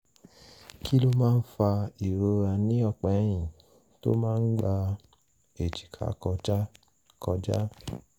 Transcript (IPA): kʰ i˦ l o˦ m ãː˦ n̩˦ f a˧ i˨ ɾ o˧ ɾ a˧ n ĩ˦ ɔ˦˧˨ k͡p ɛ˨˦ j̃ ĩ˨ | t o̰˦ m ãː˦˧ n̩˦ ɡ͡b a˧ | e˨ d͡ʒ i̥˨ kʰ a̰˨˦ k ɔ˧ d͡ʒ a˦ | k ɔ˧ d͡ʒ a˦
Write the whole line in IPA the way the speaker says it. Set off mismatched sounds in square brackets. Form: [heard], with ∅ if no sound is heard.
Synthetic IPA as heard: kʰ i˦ l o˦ m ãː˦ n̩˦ f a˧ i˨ ɾ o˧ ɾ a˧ n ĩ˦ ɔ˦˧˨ k͡p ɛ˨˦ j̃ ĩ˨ | t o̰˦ m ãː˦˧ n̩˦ ɡ͡b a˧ | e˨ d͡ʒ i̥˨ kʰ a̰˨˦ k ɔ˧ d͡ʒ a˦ | k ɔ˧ d͡ʒ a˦